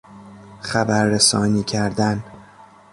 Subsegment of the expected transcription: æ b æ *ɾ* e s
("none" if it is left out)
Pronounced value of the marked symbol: ɾː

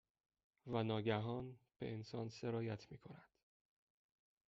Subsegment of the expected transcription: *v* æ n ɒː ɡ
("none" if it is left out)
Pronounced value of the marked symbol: v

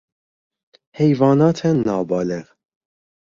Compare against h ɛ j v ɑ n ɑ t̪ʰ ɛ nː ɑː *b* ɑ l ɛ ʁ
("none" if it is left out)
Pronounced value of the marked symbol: b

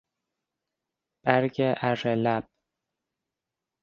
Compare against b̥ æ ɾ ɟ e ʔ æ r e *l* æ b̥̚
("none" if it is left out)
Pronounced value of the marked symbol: l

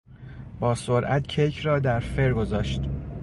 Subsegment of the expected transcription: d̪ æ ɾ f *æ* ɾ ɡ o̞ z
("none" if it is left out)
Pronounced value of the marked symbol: e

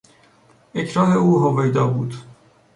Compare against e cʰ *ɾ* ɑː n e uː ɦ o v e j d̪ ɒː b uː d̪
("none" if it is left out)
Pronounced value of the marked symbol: ɾ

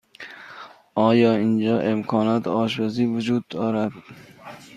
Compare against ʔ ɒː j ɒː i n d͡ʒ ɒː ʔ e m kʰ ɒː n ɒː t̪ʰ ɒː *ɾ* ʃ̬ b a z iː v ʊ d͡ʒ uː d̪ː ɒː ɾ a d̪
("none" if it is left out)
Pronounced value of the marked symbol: none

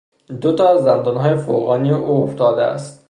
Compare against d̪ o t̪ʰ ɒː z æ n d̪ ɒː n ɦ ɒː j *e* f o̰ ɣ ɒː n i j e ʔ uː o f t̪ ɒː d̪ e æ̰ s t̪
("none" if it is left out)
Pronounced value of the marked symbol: e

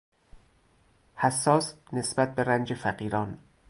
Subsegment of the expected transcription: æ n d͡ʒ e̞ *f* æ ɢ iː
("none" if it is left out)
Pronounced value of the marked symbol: f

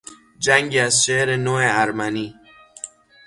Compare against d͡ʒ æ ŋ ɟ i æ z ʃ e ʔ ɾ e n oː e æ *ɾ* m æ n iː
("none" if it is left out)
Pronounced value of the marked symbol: ɾ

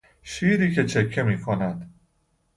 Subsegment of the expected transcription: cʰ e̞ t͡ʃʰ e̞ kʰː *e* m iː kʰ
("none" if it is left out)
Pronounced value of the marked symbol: e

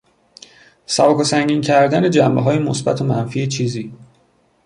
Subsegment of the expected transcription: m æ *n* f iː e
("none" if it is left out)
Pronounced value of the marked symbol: n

